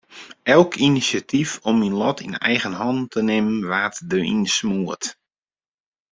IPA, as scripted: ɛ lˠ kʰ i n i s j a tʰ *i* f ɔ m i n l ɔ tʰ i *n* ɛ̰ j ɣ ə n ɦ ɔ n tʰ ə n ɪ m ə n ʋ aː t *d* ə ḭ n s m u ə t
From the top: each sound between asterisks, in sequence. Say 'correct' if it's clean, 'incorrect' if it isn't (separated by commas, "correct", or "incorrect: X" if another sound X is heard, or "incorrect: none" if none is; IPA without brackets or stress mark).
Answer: correct, correct, correct